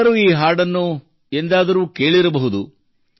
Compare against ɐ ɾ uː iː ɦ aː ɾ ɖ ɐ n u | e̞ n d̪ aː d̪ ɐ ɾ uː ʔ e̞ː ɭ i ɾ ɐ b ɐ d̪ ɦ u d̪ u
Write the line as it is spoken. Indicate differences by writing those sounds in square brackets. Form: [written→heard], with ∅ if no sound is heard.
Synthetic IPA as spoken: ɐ ɾ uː iː ɦ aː ɾ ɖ ɐ [n→nː] u | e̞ n d̪ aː d̪ ɐ ɾ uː [ʔ→k] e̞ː ɭ i ɾ ɐ b ɐ [d̪→∅] ɦ u d̪ u